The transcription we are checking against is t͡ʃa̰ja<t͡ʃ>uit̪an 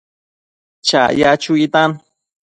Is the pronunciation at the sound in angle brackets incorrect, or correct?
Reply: correct